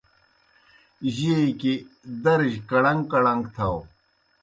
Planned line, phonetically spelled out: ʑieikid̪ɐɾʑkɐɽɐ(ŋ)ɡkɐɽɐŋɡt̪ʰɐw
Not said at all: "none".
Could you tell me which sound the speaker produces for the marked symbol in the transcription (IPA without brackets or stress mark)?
ŋ